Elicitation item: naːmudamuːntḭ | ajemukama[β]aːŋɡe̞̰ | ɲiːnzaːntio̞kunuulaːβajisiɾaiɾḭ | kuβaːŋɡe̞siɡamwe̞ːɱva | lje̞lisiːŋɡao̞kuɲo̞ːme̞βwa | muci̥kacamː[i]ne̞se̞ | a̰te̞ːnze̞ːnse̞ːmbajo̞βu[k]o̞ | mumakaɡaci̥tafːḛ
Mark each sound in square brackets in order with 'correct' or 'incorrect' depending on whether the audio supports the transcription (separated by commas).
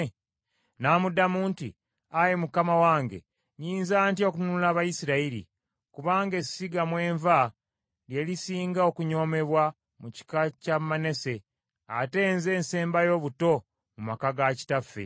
incorrect, incorrect, incorrect